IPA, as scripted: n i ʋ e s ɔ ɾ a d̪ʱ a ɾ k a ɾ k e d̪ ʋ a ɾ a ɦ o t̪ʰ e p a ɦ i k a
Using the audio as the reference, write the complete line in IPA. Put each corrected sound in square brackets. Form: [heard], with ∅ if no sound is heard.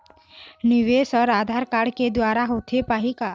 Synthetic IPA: n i ʋ e s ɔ ɾ a d̪ʱ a ɾ k a [ɽ] k e d̪ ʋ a ɾ a ɦ o t̪ʰ e p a ɦ i k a